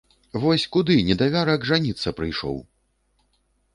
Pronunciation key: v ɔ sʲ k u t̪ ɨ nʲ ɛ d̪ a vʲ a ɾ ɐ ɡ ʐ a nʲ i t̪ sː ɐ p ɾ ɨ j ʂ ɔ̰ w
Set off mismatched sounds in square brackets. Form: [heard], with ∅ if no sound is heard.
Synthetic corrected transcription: v ɔ sʲ k u [d̪] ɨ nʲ ɛ d̪ a vʲ a ɾ ɐ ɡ ʐ a nʲ i t̪ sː ɐ p ɾ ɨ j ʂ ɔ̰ w